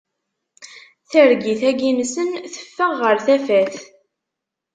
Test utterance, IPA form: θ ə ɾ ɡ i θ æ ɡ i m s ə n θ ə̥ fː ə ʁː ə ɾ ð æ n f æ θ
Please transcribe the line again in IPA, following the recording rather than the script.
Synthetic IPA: θ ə ɾ ɡ i θ æ ɡ i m s ə n θ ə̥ fː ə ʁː ə ɾ θ æ f æ θ